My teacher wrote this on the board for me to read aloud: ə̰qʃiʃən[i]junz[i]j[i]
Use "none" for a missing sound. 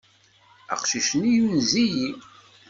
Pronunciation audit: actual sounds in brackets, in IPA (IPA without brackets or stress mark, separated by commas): i, i, i